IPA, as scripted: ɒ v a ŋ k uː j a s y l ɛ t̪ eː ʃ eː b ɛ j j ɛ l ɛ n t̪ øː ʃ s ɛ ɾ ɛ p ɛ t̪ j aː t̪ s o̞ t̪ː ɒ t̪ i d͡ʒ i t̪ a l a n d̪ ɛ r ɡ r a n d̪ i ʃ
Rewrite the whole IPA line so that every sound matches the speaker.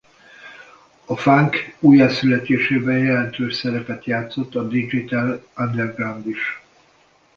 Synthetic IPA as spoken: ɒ f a ŋ k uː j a s y l ɛ t̪ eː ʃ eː b ɛ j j ɛ l ɛ n t̪ øː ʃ s ɛ ɾ ɛ p ɛ t̪ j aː t̪ s o̞ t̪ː ɒ d̪ i d͡ʒ i t̪ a l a n d̪ ɛ r ɡ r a n d̪ i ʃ